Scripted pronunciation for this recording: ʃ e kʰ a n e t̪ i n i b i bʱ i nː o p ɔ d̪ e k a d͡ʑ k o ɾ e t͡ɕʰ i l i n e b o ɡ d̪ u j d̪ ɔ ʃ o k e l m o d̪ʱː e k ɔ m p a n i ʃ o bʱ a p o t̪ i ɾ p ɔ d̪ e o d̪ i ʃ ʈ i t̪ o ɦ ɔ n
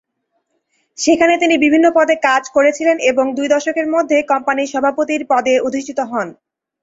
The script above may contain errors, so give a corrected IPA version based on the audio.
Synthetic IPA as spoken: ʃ e kʰ a n e t̪ i n i b i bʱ i nː o p ɔ d̪ e k a d͡ʑ k o ɾ e t͡ɕʰ i l e n e b o ŋ d̪ u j d̪ ɔ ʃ o k e ɾ m o d̪ʱː e k ɔ m p a n i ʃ ɔ bʱ a p o t̪ i ɾ p ɔ d̪ e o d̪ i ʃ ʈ i t̪ o ɦ ɔ n